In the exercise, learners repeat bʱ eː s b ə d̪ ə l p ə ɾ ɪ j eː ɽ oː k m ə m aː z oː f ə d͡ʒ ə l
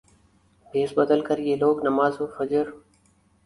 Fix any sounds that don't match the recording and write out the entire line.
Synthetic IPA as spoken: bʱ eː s b ə d̪ ə l k ə ɾ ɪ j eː l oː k n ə m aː z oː f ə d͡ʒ ə ɾ